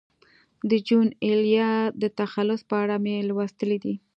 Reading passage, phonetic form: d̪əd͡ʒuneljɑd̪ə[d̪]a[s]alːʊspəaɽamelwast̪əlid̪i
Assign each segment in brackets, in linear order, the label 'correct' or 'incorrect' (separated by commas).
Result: incorrect, incorrect